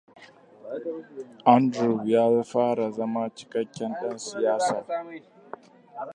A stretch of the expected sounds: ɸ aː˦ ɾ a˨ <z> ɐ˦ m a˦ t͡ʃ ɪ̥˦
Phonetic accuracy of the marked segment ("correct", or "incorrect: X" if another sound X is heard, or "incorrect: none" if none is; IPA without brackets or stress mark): correct